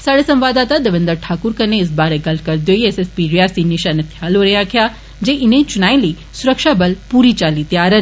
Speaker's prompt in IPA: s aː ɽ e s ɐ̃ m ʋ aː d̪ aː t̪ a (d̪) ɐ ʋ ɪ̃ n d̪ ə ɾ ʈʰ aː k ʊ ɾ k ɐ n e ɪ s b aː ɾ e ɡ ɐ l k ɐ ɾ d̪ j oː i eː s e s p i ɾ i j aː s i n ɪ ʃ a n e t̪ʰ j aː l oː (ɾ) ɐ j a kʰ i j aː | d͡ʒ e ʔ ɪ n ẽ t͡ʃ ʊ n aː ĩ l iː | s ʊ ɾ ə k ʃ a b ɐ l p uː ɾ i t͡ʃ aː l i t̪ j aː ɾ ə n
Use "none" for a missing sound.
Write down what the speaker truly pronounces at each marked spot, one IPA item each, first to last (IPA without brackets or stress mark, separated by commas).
d̪, ɾ